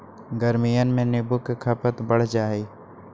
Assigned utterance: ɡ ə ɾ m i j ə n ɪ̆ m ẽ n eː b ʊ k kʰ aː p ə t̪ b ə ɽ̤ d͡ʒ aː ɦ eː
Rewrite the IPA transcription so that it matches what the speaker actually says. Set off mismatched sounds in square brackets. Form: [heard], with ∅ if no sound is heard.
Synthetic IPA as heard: ɡ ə ɾ m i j ə n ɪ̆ m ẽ n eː b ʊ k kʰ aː p ə t̪ b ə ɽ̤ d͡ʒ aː ɦ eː